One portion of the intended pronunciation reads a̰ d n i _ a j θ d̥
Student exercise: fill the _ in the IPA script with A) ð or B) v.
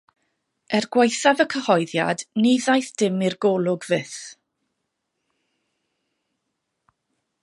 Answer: A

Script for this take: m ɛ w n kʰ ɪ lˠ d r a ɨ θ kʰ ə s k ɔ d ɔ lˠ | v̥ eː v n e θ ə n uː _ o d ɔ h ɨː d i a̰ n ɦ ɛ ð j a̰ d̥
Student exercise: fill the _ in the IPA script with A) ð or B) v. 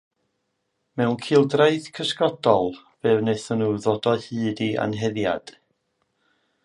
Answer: A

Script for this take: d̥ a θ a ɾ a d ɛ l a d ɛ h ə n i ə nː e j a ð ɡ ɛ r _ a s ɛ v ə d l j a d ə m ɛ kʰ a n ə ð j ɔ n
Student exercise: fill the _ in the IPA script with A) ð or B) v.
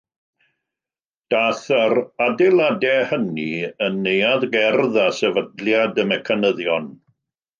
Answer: A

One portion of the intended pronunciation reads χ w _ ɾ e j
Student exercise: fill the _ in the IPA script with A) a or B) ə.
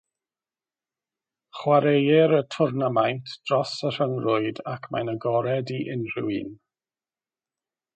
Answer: A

